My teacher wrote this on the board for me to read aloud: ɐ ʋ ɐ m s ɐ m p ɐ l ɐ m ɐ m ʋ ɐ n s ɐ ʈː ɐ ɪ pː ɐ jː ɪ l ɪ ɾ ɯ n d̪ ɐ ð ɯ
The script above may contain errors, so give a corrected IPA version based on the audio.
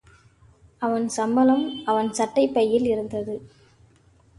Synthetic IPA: ɐ ʋ ɐ n s ɐ m b ɐ l ɐ m ɐ ʋ ɐ n s ɐ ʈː ɐ ɪ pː ɐ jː ɪ l ɪ ɾ ɯ n d̪ ɐ ð ɯ